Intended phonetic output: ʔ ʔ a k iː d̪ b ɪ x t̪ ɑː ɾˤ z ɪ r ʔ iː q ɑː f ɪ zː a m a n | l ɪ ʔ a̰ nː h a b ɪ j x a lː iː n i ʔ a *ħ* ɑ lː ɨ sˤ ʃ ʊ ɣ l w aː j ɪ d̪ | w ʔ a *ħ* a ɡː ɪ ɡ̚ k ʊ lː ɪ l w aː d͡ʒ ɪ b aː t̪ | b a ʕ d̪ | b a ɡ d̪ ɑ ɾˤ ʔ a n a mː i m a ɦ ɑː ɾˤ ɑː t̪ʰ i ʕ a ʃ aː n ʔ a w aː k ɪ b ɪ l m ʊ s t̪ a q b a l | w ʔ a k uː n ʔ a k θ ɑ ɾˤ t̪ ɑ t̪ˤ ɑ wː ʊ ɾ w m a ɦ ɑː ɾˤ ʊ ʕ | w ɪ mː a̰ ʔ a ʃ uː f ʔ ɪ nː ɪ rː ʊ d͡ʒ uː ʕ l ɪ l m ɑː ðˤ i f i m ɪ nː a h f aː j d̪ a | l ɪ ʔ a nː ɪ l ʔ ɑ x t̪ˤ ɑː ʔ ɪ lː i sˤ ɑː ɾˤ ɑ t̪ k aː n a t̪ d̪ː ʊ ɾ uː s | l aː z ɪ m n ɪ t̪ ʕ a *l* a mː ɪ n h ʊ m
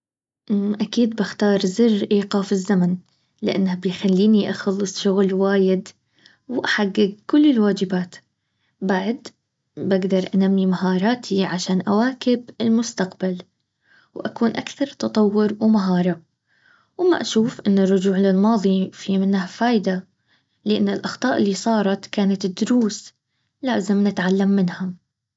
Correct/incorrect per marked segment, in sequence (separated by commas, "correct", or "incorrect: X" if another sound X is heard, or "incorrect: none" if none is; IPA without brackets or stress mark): incorrect: x, correct, incorrect: lː